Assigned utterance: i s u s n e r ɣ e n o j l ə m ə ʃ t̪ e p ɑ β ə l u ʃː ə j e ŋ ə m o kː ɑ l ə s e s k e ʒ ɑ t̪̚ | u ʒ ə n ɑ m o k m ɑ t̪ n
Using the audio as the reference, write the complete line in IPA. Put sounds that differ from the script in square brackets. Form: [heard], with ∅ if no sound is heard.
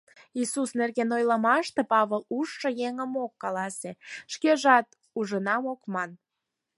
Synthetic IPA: i s u s n e r ɣ e n o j l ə m [ɑ] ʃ t̪ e p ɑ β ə l u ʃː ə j e ŋ ə m o kː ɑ l [ɑ] s e [ʃ] k e ʒ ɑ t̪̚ | u ʒ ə n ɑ m o k m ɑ [∅] n